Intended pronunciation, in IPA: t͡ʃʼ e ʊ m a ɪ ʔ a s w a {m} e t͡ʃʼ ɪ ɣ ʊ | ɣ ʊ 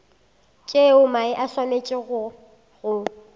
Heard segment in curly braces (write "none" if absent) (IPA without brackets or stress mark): m